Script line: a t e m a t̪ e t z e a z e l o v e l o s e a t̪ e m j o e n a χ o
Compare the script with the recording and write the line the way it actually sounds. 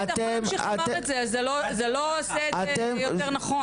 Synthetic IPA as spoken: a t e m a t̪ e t z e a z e l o z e l o s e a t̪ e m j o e n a χ o